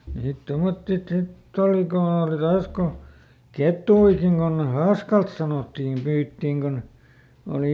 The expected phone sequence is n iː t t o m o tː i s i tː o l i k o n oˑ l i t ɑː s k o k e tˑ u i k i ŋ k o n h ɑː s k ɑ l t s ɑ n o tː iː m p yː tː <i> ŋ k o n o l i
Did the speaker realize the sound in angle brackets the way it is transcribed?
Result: no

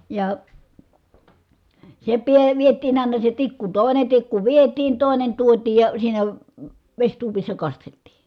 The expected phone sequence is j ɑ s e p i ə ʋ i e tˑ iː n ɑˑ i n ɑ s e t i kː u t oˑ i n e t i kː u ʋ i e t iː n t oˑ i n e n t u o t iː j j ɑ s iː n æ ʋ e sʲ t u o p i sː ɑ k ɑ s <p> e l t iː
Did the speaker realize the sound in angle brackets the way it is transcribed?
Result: no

